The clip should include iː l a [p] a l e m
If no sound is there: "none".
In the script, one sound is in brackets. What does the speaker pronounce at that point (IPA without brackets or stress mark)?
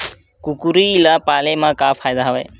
p